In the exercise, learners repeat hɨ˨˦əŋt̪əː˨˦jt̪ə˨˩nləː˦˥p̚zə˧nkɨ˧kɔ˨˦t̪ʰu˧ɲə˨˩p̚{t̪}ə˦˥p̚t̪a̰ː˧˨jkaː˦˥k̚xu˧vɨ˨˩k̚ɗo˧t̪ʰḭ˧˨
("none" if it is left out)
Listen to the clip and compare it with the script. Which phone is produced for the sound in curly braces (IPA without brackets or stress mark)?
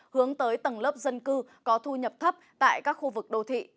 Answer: t̪ʰ